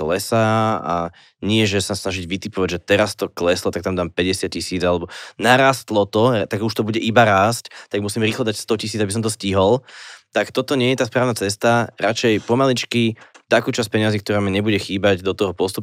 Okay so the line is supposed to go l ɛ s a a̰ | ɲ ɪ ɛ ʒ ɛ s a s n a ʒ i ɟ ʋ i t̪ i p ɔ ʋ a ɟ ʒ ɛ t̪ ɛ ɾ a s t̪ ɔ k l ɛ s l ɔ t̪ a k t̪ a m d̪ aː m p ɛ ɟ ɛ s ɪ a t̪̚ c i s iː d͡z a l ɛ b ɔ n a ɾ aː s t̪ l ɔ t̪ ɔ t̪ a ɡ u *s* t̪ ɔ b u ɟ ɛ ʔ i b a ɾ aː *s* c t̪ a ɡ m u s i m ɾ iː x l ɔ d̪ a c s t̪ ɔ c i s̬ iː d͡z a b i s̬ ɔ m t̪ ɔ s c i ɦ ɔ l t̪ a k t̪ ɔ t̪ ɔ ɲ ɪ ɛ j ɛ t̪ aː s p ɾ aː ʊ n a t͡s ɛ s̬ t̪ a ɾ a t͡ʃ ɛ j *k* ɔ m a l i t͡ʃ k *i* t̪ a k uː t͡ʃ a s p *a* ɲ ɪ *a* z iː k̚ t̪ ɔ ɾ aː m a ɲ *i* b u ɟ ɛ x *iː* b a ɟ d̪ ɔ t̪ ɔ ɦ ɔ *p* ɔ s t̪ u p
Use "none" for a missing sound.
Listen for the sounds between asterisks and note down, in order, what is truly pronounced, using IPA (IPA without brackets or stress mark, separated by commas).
ʃ, s, p, i, ɛ, a, ɛ, iː, p